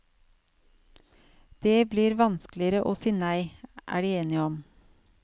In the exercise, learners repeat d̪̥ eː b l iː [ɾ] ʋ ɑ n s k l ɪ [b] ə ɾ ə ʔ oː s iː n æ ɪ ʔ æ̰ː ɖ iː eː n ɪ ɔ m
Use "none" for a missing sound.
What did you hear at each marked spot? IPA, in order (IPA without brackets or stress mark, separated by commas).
ɾ, none